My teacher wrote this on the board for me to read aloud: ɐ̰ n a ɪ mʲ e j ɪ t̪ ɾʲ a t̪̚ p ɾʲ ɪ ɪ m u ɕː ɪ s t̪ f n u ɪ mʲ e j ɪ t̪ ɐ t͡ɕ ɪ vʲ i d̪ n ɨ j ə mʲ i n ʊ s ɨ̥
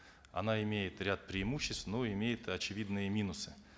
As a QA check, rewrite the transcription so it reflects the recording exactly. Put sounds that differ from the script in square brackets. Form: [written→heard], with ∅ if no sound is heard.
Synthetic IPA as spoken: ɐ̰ n a ɪ mʲ e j ɪ t̪ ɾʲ a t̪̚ p ɾʲ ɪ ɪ m u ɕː ɪ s t̪ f n [u→o] ɪ mʲ e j ɪ t̪ ɐ t͡ɕ ɪ vʲ i d̪ n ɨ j ə mʲ i n ʊ s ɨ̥

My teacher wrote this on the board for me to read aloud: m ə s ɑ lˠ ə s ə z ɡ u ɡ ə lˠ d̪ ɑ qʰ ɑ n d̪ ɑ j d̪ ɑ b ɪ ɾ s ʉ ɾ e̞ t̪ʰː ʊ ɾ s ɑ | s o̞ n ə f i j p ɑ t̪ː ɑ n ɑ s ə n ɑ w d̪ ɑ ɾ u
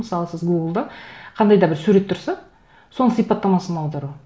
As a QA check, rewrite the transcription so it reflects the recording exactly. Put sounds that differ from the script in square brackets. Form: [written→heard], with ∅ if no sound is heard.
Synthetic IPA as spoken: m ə s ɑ lˠ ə s ə z ɡ u ɡ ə lˠ d̪ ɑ qʰ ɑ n d̪ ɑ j d̪ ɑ b ɪ ɾ s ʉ ɾ e̞ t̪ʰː ʊ ɾ s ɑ | s o̞ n ə [f→s] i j p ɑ t̪ː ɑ [n→m] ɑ s ə n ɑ w d̪ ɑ ɾ u

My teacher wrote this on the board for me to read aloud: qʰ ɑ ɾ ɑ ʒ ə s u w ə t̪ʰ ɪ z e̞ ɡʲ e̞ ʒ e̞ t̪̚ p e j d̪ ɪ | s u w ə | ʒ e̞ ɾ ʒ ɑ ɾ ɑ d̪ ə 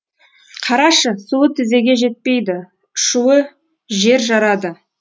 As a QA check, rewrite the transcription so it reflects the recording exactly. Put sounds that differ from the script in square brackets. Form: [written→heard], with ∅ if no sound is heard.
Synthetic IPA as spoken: qʰ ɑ ɾ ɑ [ʒ→ʃ] ə s u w ə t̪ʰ ɪ z e̞ ɡʲ e̞ ʒ e̞ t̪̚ p e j d̪ ɪ | [s→ʃ] u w ə | ʒ e̞ ɾ ʒ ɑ ɾ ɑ d̪ ə

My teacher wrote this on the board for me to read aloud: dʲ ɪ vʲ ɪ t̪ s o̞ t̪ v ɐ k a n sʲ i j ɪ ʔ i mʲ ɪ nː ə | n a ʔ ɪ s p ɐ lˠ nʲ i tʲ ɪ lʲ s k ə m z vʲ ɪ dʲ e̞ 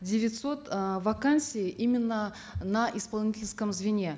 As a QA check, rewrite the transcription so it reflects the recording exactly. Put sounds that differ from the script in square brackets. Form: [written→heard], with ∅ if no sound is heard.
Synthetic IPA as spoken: dʲ ɪ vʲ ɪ t̪ s o̞ t̪ v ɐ k a n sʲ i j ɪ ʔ i mʲ ɪ nː ə | n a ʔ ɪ s p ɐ lˠ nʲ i tʲ ɪ lʲ s k ə m z vʲ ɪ [dʲ→nʲ] e̞

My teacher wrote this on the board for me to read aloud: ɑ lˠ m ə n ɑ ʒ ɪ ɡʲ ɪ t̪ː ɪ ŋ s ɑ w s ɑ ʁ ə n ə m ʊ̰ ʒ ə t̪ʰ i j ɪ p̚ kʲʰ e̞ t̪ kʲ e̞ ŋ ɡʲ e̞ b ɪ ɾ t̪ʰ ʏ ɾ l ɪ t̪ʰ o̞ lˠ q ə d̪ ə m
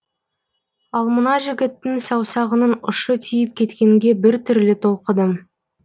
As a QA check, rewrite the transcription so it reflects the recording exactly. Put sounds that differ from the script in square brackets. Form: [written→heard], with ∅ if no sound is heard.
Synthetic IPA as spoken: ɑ lˠ m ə n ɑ ʒ ɪ ɡʲ ɪ t̪ː ɪ ŋ s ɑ w s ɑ ʁ ə n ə [m→n] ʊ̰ [ʒ→ʃ] ə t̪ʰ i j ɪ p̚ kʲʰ e̞ t̪ kʲ e̞ ŋ ɡʲ e̞ b ɪ ɾ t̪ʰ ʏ ɾ l ɪ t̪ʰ o̞ lˠ q ə d̪ ə m

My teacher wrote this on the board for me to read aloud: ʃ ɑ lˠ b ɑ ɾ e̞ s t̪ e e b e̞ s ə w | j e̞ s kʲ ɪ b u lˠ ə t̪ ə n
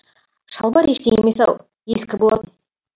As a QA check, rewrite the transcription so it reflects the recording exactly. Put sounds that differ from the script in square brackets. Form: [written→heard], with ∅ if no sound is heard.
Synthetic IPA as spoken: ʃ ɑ lˠ b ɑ ɾ e̞ [s→ʃ] t̪ e e [b→m] e̞ s [ə→ɑ] w | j e̞ s kʲ ɪ b [u→o] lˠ [ə→ɑ] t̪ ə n

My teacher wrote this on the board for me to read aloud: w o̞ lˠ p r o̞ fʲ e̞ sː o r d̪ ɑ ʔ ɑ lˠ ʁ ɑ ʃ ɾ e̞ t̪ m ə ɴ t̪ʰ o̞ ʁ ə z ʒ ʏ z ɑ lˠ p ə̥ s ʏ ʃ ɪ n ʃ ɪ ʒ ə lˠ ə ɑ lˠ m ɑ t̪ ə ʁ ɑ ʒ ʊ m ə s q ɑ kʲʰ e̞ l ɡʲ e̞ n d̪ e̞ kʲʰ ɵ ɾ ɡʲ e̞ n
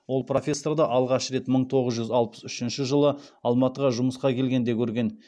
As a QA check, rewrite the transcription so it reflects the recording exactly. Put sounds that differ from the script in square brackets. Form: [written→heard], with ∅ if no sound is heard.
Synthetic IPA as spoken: w o̞ lˠ p r o̞ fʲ e̞ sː o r d̪ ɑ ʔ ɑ lˠ ʁ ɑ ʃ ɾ e̞ t̪ m ə ɴ t̪ʰ o̞ ʁ ə z ʒ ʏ z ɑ lˠ p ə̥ s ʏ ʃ ɪ n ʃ ɪ ʒ ə lˠ ə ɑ lˠ m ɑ t̪ ə ʁ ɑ ʒ ʊ m ə s q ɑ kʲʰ e̞ l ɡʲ e̞ n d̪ e̞ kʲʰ ɵ ɾ ɡʲ e̞ n

